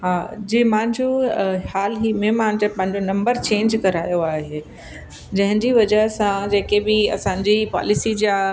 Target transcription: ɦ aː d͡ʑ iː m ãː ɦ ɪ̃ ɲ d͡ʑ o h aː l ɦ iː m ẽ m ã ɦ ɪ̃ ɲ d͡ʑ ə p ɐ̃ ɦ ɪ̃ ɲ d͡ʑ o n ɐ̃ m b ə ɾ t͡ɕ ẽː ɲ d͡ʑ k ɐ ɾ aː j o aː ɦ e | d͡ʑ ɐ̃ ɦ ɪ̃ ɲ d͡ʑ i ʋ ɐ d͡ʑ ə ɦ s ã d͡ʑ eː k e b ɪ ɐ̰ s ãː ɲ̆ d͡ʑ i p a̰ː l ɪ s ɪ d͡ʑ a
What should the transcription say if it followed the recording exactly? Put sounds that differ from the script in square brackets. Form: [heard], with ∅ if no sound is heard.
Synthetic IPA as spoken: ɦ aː d͡ʑ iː m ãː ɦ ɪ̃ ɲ d͡ʑ o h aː l ɦ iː m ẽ m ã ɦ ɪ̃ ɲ d͡ʑ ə p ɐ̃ ɦ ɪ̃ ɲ d͡ʑ o n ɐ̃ m b ə ɾ t͡ɕ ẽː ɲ d͡ʑ k ɐ ɾ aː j o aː ɦ e | d͡ʑ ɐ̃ ɦ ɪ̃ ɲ d͡ʑ i ʋ ɐ d͡ʑ ə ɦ s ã d͡ʑ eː k e b ɪ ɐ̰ s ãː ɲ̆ d͡ʑ i p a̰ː l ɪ s [i] d͡ʑ a